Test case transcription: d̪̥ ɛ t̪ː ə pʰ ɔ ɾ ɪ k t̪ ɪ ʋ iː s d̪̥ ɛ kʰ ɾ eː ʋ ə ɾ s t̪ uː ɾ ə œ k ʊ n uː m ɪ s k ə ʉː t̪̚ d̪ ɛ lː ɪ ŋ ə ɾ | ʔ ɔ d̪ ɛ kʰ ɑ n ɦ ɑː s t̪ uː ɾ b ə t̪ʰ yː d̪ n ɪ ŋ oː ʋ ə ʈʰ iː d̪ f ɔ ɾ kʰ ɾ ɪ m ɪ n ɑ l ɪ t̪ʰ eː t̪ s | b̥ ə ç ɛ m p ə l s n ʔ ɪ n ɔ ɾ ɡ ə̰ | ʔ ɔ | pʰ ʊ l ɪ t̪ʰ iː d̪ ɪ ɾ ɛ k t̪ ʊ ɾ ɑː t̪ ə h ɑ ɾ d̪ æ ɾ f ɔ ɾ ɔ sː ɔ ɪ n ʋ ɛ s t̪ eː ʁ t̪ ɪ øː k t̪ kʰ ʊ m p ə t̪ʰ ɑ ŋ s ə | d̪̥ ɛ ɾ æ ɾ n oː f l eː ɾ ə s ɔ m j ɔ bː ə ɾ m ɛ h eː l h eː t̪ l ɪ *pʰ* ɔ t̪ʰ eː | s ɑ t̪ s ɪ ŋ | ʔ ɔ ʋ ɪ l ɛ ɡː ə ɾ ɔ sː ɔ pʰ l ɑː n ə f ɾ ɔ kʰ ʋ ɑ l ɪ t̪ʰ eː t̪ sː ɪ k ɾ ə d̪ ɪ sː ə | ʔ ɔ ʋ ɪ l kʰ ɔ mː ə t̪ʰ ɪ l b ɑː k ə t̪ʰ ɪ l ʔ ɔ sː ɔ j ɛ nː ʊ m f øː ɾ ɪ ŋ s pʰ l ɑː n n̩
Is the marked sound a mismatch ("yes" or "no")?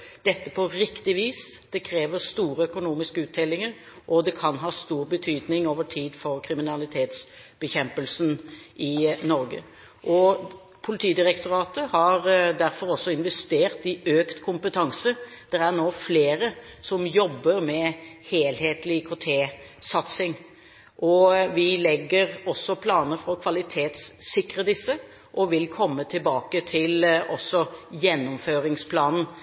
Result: yes